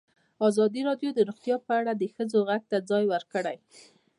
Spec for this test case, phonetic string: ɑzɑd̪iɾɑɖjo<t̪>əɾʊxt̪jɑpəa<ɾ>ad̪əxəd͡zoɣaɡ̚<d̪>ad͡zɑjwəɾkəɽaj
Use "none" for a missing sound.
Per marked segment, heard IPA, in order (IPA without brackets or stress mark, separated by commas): d̪, ɽ, t̪